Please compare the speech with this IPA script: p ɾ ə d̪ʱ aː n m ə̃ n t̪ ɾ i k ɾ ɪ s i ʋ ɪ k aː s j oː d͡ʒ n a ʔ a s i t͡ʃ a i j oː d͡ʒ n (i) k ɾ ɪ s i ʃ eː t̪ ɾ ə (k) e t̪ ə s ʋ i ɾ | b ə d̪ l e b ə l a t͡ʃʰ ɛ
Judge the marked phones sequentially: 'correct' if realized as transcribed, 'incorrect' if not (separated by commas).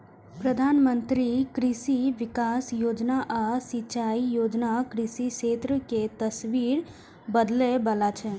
incorrect, correct